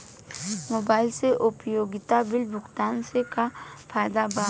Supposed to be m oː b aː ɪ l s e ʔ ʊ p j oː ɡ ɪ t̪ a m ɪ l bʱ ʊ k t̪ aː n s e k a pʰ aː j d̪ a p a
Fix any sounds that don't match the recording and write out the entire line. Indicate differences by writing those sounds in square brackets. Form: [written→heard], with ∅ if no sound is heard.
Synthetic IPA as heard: m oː b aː ɪ l s e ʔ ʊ p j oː ɡ ɪ t̪ a [m→b] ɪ l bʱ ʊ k t̪ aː n s e k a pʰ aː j d̪ a [p→b] a